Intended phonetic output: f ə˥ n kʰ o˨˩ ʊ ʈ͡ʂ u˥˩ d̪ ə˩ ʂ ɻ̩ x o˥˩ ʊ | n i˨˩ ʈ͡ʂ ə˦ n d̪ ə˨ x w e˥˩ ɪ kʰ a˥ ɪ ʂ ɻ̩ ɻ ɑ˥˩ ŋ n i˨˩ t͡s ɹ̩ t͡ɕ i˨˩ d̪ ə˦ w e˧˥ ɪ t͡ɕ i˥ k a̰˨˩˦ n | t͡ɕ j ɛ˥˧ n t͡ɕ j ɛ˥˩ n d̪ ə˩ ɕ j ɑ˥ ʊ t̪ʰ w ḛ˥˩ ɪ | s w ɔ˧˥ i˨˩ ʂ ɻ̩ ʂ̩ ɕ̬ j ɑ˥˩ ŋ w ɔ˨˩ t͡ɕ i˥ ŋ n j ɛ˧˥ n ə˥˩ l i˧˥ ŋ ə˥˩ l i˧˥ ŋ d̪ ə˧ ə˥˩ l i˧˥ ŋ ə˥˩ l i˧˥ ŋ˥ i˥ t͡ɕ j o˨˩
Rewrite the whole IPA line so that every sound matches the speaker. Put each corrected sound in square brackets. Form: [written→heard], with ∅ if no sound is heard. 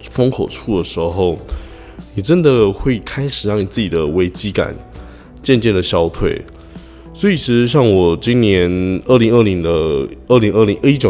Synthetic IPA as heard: f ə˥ [n→ŋ] kʰ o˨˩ ʊ [ʈ͡ʂ→ʈ͡ʂʰ] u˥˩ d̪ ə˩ ʂ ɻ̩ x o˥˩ ʊ | n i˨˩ ʈ͡ʂ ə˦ n d̪ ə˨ x w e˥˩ ɪ kʰ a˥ ɪ ʂ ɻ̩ ɻ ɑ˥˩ ŋ n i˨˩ t͡s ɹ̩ t͡ɕ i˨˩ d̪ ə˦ w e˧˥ ɪ t͡ɕ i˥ k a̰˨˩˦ n | t͡ɕ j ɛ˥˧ n t͡ɕ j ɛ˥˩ n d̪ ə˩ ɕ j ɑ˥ ʊ t̪ʰ w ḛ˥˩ ɪ | s w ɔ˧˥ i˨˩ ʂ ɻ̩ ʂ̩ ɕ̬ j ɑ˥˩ ŋ w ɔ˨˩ t͡ɕ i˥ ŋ n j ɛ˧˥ n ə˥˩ l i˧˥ ŋ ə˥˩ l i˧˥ ŋ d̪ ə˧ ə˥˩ l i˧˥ ŋ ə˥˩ l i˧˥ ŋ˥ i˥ t͡ɕ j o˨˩